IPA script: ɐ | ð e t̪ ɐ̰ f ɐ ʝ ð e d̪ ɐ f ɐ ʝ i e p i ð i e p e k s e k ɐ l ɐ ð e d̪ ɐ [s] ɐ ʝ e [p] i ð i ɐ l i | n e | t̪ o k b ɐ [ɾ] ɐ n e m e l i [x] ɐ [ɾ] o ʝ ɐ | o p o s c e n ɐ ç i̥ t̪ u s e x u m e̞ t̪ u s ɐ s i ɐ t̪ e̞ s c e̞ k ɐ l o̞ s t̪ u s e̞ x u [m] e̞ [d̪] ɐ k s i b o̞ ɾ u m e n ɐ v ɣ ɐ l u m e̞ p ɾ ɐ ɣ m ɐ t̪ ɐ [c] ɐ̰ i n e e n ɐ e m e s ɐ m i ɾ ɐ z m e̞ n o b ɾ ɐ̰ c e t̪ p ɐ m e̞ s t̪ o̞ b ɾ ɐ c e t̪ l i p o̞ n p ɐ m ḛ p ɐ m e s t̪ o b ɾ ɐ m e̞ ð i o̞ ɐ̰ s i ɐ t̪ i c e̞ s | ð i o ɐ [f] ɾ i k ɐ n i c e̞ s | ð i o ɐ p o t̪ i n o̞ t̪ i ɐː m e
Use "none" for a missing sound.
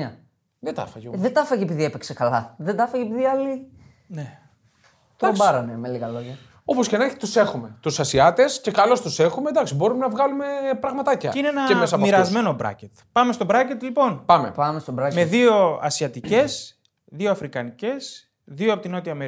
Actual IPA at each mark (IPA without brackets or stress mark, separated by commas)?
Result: f, p, ɾ, ɣ, l, m, d̪, c, f